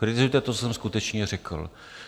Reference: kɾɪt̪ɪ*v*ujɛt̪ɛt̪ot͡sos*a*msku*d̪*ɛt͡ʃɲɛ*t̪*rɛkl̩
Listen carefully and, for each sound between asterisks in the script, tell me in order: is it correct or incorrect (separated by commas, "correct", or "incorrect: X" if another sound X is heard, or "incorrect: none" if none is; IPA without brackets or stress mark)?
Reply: incorrect: z, incorrect: ɛ, incorrect: t̪, incorrect: none